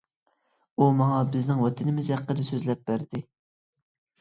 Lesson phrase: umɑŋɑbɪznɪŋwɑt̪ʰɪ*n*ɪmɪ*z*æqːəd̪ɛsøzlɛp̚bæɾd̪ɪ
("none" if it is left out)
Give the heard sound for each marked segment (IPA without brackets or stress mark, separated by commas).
n, z